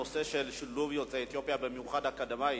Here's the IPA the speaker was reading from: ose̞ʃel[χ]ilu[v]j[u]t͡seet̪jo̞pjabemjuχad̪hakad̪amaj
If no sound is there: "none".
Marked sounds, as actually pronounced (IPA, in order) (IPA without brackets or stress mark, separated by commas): ʃ, v, o